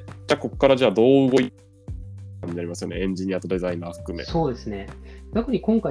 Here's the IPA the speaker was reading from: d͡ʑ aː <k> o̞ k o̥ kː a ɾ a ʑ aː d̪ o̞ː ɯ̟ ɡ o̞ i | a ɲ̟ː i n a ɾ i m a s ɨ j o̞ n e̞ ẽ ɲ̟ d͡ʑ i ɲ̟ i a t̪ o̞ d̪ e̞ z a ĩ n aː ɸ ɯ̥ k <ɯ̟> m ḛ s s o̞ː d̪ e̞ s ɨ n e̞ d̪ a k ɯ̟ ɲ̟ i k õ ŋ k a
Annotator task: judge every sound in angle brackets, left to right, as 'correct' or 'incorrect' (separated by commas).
correct, correct